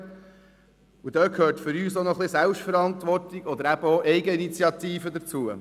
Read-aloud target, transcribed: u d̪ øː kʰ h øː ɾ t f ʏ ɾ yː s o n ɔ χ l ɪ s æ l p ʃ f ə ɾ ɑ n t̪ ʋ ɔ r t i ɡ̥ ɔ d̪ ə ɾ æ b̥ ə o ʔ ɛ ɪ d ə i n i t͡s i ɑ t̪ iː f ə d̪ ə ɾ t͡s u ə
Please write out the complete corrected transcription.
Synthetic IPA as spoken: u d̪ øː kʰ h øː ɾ t f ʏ ɾ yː s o n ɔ χ l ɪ s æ l p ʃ f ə ɾ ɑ n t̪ ʋ ɔ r t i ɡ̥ ɔ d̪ ə ɾ æ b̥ ə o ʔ ɛ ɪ ɡ ə i n i t͡s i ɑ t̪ iː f ə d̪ ə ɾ t͡s u ə